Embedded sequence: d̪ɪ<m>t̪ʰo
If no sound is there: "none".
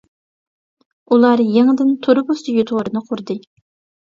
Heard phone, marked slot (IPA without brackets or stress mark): n